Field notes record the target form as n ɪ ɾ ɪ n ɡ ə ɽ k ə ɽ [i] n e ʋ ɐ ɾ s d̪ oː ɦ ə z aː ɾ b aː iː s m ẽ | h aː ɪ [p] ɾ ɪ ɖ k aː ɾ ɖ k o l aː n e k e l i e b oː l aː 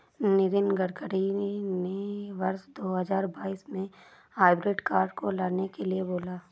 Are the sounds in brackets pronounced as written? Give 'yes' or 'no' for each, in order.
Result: yes, no

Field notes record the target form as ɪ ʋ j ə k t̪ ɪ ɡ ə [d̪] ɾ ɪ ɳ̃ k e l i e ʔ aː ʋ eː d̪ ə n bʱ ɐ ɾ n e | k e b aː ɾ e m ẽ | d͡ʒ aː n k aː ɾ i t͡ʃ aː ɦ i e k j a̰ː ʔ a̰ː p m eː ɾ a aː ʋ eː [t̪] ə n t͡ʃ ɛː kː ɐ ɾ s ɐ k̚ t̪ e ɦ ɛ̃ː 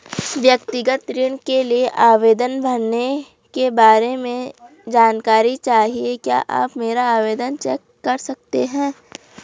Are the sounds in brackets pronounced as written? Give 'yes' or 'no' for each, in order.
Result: no, no

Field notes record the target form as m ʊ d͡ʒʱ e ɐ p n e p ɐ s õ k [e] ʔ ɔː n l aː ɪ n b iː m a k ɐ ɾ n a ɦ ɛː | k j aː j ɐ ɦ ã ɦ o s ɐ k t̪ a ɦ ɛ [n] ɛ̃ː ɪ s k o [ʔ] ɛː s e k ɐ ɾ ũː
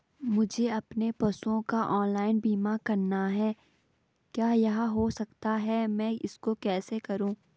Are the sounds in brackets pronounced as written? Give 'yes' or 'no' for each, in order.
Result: no, no, no

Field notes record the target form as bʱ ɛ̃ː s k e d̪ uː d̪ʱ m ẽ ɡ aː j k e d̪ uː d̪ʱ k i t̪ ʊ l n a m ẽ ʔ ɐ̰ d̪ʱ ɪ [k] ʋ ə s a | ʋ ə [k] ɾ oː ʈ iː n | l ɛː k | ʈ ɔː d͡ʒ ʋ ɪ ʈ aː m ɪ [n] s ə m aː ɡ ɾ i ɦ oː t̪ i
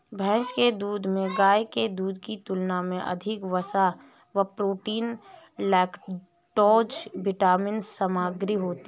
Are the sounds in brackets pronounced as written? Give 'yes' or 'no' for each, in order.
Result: yes, no, yes

